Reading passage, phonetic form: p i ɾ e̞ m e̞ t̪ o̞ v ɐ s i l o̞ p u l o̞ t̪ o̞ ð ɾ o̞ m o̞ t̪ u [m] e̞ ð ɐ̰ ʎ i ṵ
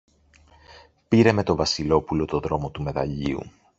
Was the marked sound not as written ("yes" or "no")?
no